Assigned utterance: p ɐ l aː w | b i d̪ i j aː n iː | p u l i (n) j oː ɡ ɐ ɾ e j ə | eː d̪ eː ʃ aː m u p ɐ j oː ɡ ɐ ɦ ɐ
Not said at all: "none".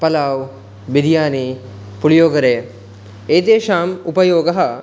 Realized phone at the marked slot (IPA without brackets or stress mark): none